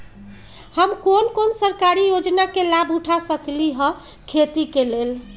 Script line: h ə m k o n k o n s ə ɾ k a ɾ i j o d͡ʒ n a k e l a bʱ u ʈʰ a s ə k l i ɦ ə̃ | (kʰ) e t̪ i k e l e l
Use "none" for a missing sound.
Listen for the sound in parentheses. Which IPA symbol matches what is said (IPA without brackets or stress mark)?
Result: kʰ